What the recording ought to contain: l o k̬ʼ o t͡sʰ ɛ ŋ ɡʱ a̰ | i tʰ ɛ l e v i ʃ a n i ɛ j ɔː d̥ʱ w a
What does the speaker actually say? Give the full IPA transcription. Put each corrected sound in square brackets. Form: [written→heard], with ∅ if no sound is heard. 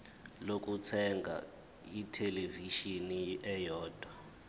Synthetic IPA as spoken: l o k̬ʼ [o→u] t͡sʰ ɛ ŋ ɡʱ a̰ | i tʰ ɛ l e v i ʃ [a→i] n i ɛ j ɔː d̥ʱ w a